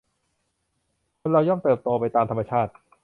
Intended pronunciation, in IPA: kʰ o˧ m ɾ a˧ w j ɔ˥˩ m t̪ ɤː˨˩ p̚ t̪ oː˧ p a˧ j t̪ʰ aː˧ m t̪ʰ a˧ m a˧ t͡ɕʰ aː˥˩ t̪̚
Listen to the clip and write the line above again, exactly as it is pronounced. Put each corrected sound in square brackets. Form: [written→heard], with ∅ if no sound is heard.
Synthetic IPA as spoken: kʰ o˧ [m→n] ɾ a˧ w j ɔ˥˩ m t̪ ɤː˨˩ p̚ t̪ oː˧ p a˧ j [t̪ʰ→t̪] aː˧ m t̪ʰ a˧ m a˧ t͡ɕʰ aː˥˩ t̪̚